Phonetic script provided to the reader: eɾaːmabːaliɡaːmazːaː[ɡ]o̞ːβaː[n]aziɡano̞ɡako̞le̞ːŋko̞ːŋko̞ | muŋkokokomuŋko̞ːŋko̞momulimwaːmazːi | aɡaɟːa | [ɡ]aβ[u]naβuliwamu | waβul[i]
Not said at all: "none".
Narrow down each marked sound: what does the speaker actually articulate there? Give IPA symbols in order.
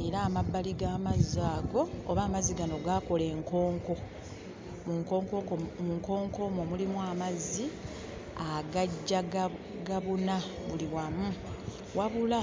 ɡ, m, ɡ, u, a

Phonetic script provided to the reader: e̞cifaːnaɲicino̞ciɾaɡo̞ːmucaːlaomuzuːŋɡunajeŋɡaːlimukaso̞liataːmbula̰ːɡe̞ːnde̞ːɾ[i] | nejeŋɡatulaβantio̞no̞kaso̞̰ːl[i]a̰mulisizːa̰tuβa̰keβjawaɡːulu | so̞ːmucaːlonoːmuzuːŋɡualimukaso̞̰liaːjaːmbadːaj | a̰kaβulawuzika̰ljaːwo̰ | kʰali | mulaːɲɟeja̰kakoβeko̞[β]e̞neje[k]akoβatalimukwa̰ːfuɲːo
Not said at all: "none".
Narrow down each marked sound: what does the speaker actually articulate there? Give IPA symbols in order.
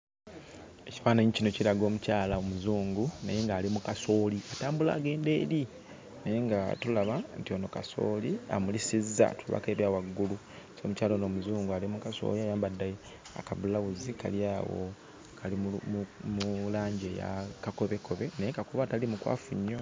i, i, β, k

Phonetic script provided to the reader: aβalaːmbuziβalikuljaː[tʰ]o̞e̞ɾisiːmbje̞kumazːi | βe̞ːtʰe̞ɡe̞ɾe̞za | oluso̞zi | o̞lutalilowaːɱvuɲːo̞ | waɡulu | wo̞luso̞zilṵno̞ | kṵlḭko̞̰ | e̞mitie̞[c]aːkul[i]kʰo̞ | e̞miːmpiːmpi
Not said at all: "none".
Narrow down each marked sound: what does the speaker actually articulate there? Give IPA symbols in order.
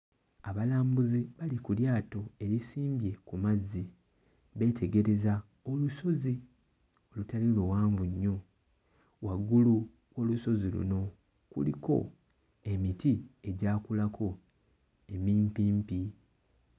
t, ɟ, a

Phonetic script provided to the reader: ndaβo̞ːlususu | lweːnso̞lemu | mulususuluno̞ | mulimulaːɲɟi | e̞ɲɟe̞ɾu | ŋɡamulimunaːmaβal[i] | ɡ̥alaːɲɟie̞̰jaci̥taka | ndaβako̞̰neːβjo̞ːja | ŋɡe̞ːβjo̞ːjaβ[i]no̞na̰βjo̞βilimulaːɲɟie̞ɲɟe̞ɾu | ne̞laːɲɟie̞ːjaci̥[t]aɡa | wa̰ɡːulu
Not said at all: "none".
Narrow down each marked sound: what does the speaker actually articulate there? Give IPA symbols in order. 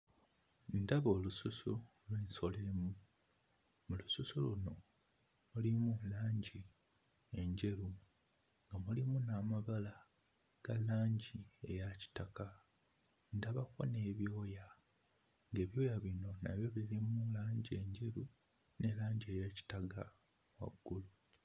a, i, t

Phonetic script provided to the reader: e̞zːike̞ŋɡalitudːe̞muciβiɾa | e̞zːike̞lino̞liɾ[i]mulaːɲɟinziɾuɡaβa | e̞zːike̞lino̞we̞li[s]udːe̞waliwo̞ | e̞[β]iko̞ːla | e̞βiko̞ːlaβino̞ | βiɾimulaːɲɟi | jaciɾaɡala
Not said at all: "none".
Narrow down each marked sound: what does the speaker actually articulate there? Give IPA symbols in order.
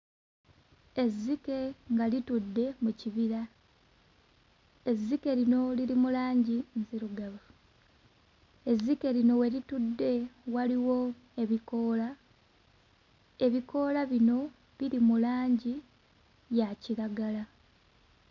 i, t, β

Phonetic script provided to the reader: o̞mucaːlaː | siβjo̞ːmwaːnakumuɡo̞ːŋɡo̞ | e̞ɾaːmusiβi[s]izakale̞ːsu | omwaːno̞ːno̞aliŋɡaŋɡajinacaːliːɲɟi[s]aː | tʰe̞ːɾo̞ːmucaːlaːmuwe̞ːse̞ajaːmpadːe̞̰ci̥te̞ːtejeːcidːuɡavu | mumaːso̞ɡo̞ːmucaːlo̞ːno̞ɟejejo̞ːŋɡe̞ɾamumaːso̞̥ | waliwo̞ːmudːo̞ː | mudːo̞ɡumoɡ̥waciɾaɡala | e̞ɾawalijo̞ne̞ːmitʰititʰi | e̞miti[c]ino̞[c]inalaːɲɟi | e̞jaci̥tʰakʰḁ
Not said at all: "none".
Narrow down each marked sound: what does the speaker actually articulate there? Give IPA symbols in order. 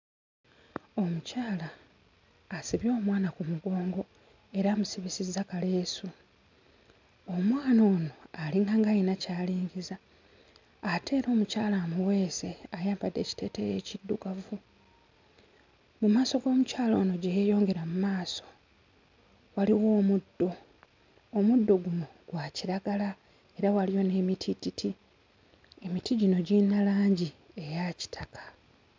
s, z, ɟ, ɟ

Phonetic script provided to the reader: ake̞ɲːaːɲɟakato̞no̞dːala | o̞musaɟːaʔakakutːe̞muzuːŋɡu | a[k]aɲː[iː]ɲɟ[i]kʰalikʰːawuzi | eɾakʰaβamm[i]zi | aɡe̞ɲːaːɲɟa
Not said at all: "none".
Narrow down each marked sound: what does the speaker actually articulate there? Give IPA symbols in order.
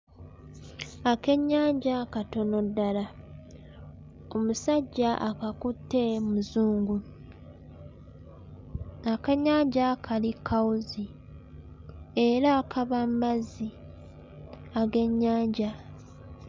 k, aː, a, a

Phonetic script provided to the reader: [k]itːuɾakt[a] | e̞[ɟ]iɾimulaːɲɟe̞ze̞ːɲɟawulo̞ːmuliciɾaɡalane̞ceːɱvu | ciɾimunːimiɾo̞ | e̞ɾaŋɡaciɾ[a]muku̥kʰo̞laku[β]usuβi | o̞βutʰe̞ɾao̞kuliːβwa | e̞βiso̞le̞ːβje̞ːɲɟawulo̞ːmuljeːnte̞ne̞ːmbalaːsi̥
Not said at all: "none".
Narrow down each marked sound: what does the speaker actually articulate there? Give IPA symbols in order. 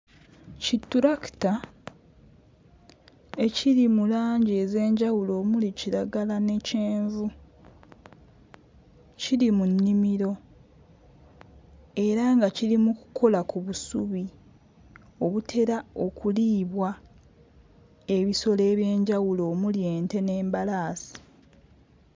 c, a, c, i, β

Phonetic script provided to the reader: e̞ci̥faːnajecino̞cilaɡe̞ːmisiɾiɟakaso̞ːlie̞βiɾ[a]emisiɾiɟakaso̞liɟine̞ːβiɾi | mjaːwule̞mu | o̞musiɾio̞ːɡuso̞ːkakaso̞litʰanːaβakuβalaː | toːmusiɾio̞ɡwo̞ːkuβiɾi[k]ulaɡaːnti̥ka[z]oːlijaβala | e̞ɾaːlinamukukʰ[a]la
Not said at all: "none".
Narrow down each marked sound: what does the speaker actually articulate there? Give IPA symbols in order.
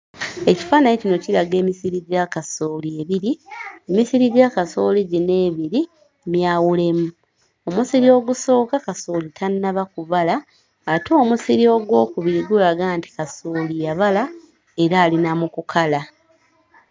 i, ɡ, s, a

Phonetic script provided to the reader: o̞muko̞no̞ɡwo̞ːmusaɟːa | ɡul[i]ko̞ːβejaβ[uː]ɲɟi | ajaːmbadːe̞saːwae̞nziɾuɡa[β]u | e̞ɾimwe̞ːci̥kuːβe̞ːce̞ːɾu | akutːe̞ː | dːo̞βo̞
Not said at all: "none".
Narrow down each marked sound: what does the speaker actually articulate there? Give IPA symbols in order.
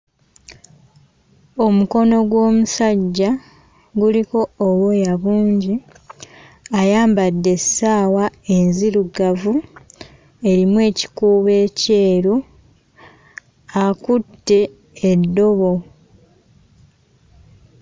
i, uː, v

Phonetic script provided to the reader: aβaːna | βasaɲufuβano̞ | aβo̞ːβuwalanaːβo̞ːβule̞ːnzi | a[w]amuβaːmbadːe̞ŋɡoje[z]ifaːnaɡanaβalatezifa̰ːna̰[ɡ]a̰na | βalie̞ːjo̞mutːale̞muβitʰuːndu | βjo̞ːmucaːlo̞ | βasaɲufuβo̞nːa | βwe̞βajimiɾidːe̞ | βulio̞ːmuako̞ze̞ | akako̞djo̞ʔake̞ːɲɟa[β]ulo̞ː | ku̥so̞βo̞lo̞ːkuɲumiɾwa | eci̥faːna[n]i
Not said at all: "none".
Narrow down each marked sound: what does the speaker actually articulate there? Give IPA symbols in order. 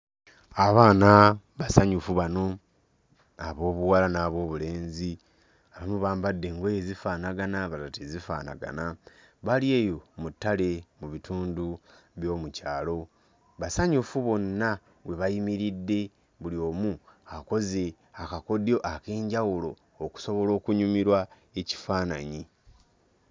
β, z, ɡ, w, ɲ

